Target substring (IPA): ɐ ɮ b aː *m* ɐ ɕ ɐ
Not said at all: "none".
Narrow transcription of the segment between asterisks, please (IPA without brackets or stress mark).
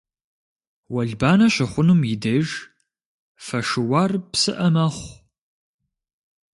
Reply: n